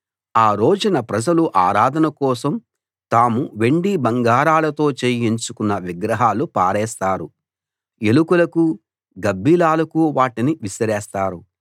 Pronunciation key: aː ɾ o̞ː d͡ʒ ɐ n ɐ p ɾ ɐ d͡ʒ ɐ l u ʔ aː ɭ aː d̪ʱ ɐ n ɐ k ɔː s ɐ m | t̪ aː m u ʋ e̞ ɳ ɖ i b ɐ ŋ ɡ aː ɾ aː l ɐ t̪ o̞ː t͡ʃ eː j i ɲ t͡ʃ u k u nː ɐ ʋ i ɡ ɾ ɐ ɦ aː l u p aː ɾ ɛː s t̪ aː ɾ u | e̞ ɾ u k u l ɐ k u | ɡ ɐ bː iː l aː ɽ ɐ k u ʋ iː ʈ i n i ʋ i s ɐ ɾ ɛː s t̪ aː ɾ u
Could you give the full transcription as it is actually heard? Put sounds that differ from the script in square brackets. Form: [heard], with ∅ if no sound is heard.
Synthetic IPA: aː ɾ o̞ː d͡ʒ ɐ n ɐ p ɾ ɐ d͡ʒ ɐ l u ʔ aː [ɾ] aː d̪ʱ ɐ n ɐ k ɔː s ɐ m | t̪ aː m u ʋ e̞ ɳ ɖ i b ɐ ŋ ɡ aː ɾ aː l ɐ t̪ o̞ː t͡ʃ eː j i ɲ t͡ʃ u k u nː ɐ ʋ i ɡ ɾ ɐ ɦ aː l u p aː ɾ ɛː s t̪ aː ɾ u | e̞ [l] u k u l ɐ k u | ɡ ɐ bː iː l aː [l] ɐ k u ʋ [aː] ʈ i n i ʋ i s ɐ ɾ ɛː s t̪ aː ɾ u